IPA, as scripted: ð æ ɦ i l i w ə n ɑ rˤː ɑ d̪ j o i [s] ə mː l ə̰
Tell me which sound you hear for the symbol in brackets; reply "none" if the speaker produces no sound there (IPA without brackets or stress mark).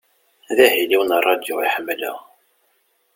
ħ